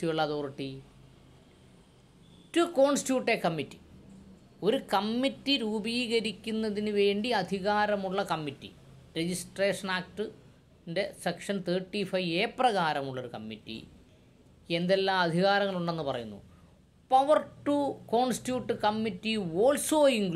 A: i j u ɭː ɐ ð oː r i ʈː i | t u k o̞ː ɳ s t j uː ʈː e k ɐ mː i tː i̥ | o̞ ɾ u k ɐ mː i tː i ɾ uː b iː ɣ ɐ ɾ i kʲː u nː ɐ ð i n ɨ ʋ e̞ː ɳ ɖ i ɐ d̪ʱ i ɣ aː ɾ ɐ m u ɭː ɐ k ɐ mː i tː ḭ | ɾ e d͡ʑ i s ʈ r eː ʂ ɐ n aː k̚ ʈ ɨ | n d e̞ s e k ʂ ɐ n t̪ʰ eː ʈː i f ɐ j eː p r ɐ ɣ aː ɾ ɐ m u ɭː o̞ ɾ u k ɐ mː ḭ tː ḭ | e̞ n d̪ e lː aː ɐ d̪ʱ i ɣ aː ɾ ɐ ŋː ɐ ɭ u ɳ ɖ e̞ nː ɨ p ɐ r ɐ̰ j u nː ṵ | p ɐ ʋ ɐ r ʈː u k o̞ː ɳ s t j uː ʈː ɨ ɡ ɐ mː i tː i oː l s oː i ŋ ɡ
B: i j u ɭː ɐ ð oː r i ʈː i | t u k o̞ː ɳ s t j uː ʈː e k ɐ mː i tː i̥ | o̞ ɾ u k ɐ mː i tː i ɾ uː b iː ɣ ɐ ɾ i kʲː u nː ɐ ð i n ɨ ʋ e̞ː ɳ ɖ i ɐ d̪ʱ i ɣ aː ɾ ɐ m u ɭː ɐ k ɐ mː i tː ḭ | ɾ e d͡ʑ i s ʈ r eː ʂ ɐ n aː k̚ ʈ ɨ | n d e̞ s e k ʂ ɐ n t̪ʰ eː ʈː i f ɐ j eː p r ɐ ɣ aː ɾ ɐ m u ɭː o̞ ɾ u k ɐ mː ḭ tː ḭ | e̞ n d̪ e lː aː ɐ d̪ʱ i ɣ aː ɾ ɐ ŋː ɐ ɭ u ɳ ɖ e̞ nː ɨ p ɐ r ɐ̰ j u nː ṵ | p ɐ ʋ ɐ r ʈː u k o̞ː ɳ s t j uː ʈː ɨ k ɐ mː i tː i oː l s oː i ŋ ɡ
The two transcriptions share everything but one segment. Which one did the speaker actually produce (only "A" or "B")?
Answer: B